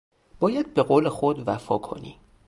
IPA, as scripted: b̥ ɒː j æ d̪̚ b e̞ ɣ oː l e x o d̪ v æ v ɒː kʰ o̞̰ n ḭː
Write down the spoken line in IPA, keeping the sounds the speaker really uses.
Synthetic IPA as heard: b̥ ɒː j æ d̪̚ b e̞ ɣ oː l e x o d̪ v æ f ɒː kʰ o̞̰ n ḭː